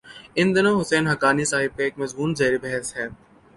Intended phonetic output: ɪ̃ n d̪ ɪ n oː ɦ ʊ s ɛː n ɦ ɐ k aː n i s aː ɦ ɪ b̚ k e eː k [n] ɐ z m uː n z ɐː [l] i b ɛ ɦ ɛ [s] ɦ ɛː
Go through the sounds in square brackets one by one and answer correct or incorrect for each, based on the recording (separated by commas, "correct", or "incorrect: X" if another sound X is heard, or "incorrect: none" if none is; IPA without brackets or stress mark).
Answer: incorrect: m, incorrect: ɾ, correct